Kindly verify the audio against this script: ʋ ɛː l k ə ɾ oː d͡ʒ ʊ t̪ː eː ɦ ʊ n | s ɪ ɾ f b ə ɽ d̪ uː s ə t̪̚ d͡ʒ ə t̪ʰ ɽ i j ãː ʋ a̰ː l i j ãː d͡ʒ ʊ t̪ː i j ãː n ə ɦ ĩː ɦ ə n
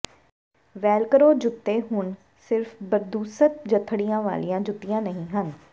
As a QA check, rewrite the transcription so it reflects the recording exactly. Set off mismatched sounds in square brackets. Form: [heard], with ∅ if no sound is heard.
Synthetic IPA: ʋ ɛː l k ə ɾ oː d͡ʒ ʊ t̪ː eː ɦ ʊ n | s ɪ ɾ f b ə [ɾ] d̪ uː s ə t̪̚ d͡ʒ ə t̪ʰ ɽ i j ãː ʋ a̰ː l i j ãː d͡ʒ ʊ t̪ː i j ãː n ə ɦ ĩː ɦ ə n